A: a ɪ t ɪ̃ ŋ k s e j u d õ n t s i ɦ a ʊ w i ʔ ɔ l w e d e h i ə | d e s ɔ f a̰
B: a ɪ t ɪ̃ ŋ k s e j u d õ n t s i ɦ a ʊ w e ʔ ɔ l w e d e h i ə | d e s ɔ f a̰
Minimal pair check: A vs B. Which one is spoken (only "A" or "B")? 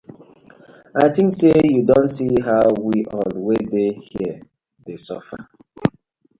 A